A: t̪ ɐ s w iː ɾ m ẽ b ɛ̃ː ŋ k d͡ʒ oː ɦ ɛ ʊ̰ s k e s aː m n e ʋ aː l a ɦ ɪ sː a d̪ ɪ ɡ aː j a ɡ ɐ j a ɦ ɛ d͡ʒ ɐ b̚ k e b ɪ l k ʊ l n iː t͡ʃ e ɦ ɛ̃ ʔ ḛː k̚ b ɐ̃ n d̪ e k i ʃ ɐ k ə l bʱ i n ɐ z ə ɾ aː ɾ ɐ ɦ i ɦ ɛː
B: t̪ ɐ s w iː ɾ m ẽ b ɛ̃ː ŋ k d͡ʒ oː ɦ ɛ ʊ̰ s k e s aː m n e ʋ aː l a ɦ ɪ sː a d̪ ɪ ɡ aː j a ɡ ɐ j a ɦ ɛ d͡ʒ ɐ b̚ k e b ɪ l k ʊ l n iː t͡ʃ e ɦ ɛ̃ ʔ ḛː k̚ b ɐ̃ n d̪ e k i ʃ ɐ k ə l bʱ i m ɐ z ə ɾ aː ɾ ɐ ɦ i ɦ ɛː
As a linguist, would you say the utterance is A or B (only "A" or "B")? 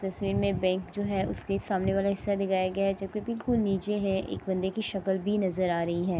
A